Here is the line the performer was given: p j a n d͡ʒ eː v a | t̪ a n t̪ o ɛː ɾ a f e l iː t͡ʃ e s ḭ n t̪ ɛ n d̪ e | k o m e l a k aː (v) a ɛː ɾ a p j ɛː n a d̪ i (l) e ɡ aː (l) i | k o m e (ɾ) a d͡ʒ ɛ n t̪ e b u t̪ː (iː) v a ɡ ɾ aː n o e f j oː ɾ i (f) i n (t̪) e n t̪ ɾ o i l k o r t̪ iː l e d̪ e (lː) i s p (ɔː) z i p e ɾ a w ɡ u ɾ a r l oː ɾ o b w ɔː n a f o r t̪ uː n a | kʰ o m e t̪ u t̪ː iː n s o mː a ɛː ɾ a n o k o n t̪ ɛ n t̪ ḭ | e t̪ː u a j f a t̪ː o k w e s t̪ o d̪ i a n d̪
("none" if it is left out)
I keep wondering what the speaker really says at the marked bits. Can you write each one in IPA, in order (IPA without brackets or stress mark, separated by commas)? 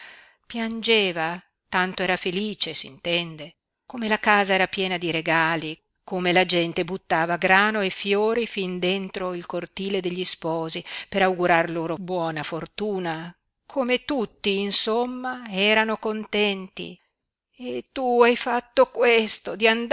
z, ɾ, l, l, aː, f, d̪, ʎː, ɔː